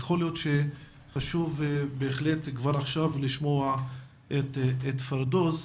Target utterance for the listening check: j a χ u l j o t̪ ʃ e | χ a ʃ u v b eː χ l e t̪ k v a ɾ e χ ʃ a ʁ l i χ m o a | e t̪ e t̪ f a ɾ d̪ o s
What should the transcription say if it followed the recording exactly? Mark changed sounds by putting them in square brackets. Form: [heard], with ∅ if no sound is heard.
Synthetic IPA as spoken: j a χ [o] l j o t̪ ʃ e | χ a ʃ u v b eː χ l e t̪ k v a ɾ [a] χ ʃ a [v] l i [ʃ] m o a | e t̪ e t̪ f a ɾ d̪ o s